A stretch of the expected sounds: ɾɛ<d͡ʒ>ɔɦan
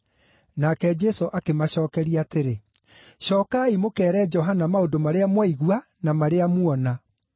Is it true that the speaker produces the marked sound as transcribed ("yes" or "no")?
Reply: yes